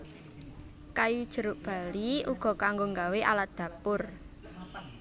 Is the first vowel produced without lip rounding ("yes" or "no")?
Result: yes